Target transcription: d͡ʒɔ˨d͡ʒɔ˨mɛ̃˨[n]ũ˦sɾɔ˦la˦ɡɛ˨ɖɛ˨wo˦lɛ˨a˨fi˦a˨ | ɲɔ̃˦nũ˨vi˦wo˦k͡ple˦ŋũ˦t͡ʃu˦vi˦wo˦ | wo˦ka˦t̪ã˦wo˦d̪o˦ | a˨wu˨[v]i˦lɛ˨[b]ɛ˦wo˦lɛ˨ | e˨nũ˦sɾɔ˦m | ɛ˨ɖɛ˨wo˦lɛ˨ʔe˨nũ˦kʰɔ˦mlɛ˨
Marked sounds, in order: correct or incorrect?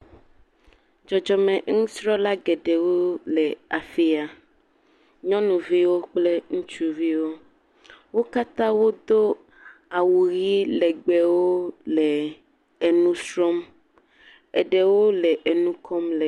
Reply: incorrect, incorrect, incorrect

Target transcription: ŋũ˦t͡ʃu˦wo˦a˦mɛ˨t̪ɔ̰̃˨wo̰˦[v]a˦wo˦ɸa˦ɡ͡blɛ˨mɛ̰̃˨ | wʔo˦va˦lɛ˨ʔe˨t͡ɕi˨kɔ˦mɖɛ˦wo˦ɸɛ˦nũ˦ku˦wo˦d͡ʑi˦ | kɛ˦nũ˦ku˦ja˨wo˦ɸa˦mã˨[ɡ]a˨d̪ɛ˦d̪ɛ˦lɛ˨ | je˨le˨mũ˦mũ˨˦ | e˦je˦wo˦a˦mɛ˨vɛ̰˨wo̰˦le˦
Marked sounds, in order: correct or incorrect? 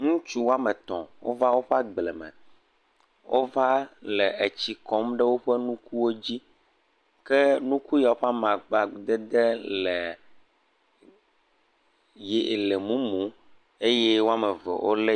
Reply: correct, incorrect

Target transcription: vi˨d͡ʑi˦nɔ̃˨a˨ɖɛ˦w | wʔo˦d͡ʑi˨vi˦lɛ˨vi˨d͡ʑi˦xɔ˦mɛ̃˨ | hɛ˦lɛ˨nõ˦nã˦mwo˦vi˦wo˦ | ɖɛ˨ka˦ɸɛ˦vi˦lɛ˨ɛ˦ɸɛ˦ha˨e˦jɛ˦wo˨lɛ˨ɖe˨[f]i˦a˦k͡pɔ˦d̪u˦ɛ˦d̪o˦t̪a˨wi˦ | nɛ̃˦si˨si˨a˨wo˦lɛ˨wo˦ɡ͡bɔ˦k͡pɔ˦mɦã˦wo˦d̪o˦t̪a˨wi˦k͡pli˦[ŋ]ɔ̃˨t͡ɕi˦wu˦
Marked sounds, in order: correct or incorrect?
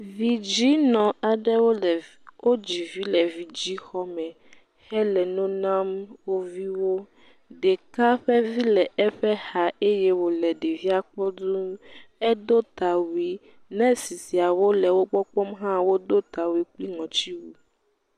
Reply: incorrect, correct

